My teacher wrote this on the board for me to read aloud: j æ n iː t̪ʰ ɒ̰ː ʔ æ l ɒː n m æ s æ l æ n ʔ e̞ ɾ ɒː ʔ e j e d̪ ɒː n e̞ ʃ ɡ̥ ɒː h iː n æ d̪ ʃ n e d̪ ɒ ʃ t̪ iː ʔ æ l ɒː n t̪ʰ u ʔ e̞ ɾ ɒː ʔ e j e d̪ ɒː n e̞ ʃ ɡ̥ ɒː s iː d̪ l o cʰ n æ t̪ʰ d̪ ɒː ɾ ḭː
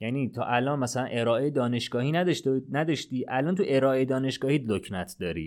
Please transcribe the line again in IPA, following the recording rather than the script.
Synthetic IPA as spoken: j æ n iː t̪ʰ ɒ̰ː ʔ æ l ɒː n m æ s æ l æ n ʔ e̞ ɾ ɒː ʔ e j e d̪ ɒː n e̞ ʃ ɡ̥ ɒː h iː n æ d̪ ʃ n æ d̪ ɒ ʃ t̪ iː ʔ æ l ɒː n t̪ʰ u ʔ e̞ ɾ ɒː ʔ e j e d̪ ɒː n e̞ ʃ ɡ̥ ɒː h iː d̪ l o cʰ n æ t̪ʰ d̪ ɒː ɾ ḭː